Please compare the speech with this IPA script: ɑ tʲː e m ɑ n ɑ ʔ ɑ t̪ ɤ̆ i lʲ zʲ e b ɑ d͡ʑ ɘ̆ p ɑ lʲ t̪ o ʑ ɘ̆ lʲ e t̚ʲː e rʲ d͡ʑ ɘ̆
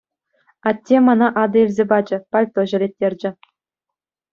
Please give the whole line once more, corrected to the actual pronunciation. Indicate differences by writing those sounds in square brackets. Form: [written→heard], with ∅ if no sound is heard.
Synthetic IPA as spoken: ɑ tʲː e m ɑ n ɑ ʔ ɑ [t̪→d̪] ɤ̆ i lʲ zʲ e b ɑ d͡ʑ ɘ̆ p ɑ lʲ t̪ o ʑ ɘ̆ lʲ e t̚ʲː e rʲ d͡ʑ ɘ̆